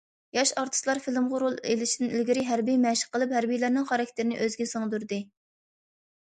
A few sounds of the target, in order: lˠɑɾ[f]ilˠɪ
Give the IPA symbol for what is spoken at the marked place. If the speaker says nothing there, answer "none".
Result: f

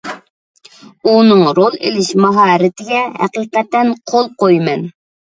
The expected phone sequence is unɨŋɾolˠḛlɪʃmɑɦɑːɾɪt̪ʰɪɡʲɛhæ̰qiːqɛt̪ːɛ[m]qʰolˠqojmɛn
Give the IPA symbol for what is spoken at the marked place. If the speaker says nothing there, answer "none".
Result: n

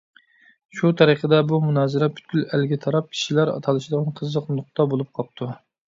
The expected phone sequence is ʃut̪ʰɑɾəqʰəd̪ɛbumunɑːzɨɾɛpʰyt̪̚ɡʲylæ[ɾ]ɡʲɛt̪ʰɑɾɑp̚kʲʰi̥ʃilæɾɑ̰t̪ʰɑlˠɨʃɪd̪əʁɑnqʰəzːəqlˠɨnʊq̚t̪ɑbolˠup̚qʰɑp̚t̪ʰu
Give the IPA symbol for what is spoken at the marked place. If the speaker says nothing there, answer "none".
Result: l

